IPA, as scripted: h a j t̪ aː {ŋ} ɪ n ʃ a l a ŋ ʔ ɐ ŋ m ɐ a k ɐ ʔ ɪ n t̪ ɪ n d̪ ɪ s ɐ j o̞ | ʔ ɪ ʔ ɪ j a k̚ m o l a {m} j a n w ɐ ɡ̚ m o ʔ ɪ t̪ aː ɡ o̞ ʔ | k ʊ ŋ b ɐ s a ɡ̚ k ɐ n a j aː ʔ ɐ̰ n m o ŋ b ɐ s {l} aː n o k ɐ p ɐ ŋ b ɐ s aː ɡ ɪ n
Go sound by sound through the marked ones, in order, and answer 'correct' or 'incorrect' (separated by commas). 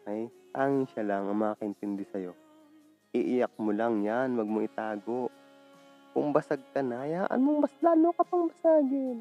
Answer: correct, incorrect, correct